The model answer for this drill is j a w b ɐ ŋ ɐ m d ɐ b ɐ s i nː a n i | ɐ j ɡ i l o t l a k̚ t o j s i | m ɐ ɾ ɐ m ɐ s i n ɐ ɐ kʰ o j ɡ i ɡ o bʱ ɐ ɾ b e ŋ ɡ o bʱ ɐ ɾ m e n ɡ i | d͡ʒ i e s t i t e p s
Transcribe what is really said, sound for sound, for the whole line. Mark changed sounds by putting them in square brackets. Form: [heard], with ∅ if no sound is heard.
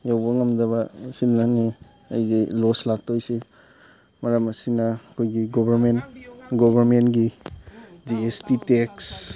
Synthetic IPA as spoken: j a w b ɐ ŋ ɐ m d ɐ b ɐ s i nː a n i | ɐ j ɡ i l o [s] l a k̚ t o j s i | m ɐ ɾ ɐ m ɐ s i n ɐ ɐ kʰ o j ɡ i ɡ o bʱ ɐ ɾ [m] e [n] ɡ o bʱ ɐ ɾ m e n ɡ i | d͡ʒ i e s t i t e [k] s